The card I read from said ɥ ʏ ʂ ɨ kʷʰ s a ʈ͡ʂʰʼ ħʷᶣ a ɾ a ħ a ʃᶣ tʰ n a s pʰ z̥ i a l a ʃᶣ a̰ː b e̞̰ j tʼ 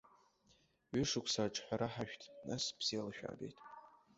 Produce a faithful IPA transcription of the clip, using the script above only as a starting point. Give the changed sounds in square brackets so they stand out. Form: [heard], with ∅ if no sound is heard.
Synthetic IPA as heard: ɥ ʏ ʂ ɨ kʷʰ s a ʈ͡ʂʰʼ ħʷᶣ a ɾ a ħ a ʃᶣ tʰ n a s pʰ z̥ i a l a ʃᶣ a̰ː b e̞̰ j tʼ